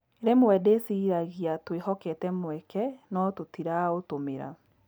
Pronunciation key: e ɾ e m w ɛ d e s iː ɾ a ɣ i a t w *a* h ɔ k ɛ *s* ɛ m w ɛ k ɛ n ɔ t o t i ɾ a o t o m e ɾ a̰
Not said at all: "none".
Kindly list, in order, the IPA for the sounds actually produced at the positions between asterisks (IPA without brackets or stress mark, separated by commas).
e, t